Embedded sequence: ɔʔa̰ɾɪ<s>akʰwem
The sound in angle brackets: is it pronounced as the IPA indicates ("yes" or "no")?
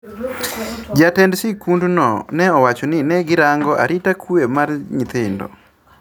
no